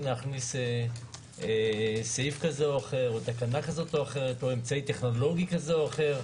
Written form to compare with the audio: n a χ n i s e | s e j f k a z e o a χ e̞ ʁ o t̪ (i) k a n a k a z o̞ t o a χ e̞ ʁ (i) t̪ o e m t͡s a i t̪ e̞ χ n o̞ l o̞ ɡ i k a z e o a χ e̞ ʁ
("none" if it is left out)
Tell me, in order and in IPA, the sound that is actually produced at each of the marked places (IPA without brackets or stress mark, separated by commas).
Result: a, e